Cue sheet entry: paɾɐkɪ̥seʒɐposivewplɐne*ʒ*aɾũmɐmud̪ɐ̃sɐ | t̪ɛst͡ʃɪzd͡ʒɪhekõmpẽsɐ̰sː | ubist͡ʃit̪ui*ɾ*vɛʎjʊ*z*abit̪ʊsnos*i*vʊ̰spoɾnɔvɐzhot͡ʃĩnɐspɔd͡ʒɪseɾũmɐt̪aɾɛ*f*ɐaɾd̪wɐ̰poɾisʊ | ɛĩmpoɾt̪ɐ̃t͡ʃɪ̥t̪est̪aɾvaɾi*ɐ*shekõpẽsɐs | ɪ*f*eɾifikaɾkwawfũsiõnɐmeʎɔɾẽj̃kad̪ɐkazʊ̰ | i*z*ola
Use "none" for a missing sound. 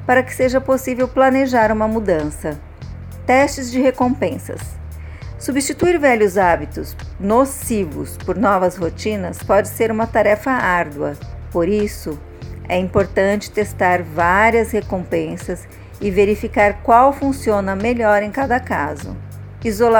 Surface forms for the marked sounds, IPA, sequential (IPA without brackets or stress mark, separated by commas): ʒ, ɾ, z, i, f, ɐ, v, z